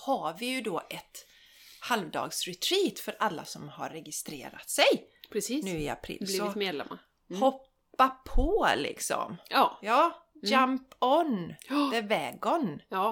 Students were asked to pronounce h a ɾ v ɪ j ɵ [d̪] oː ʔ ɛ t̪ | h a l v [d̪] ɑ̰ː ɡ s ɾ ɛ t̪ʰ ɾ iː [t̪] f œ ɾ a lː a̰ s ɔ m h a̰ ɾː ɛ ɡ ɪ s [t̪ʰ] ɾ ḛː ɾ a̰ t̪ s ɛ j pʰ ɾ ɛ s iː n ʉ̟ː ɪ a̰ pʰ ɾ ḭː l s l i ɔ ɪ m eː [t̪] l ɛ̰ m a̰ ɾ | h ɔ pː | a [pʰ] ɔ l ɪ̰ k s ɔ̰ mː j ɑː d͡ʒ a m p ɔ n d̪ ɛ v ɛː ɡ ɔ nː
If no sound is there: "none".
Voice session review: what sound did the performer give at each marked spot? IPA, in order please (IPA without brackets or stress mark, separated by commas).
d̪, d̪, t̪, t̪, d̪, pʰ